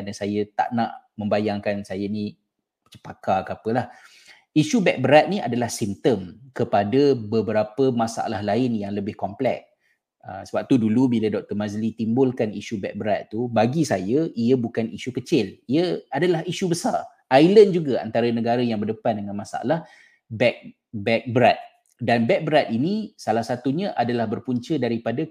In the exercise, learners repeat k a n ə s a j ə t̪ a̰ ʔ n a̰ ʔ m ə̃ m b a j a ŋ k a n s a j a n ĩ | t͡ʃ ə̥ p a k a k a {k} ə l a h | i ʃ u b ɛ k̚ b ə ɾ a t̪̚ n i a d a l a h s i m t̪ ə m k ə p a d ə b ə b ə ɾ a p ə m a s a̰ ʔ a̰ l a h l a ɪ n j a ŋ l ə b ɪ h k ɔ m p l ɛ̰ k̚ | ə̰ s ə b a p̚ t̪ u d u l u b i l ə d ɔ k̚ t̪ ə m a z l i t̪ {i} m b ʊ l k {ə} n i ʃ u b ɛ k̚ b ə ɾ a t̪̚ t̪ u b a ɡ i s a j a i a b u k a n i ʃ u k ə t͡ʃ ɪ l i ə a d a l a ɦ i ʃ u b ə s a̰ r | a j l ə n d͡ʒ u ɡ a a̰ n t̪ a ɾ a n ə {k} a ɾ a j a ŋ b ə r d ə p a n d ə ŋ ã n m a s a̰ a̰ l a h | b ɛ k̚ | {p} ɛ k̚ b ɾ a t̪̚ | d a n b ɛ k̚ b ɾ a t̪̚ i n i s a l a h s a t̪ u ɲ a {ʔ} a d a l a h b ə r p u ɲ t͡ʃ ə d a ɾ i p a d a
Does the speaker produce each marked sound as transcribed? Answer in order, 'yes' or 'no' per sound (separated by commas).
no, yes, no, no, no, yes